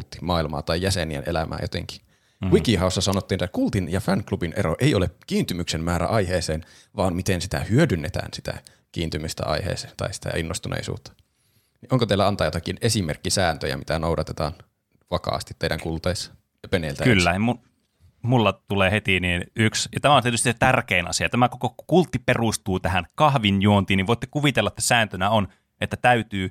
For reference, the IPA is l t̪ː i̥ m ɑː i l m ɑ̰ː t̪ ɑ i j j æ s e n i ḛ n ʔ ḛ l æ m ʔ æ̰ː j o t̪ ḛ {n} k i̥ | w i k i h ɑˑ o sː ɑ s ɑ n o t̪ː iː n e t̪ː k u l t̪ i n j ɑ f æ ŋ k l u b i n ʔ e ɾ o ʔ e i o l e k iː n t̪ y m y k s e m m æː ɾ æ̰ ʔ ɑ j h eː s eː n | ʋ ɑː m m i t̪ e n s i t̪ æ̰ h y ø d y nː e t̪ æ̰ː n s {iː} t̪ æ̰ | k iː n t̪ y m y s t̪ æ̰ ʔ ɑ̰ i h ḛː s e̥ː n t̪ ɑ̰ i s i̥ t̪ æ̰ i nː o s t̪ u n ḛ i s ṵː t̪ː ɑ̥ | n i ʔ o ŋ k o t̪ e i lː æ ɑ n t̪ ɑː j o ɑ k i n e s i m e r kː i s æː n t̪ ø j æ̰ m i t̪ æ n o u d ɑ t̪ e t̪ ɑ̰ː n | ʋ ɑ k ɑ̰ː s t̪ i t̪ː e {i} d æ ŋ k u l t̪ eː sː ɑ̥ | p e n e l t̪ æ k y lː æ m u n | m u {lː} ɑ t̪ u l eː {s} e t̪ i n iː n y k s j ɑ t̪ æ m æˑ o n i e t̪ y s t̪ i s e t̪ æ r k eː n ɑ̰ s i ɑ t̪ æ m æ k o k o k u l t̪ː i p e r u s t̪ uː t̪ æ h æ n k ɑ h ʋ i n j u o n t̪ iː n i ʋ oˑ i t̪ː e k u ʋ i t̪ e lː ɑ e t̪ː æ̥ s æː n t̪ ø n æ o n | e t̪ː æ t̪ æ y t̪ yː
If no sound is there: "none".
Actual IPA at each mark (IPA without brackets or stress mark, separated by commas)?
ŋ, i, i, lː, h